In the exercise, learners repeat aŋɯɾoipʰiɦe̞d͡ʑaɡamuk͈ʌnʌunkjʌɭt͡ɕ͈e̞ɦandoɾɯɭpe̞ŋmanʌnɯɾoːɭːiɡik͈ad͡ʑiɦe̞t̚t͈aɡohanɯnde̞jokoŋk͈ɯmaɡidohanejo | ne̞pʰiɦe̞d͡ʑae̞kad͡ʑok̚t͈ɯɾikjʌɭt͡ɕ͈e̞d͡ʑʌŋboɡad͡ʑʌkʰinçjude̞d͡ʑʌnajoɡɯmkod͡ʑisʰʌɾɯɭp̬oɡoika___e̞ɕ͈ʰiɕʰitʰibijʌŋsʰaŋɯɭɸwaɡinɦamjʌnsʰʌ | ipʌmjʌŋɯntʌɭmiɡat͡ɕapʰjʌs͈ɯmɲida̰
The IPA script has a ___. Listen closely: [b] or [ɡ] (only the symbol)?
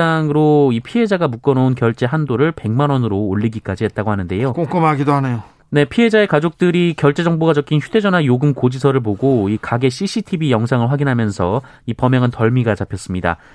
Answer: ɡ